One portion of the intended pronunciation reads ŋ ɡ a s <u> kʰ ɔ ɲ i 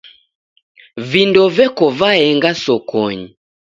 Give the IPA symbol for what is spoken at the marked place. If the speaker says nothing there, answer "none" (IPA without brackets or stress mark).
ɔ